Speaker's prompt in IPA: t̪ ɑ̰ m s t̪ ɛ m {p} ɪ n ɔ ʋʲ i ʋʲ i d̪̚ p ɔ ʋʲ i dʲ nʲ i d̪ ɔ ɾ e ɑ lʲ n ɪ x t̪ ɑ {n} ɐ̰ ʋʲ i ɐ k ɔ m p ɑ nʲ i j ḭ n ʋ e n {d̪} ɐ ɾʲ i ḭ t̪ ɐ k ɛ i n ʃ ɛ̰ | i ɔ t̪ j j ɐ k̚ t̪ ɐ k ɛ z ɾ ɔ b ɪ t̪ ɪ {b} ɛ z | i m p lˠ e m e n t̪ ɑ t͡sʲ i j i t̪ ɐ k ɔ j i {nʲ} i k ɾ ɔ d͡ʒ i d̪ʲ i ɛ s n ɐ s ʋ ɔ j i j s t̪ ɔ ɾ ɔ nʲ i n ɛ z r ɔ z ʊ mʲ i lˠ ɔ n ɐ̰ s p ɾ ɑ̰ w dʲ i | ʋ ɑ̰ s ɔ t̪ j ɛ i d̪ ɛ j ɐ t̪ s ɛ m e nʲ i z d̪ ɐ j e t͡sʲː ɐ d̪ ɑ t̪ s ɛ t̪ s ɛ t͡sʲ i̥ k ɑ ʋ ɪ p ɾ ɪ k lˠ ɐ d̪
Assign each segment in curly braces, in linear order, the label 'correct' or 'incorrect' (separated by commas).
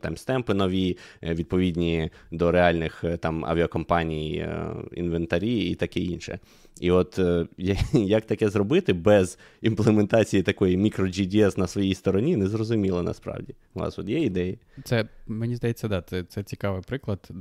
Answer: correct, incorrect, incorrect, correct, incorrect